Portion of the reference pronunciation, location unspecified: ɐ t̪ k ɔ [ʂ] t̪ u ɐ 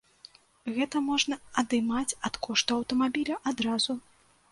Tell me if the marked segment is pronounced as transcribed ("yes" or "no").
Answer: yes